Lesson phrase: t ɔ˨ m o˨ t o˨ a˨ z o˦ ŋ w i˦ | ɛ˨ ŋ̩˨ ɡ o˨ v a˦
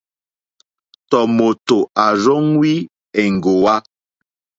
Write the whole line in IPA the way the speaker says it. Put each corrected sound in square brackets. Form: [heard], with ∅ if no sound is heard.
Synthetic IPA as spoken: t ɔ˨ m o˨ t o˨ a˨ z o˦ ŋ w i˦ | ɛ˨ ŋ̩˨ ɡ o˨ [w] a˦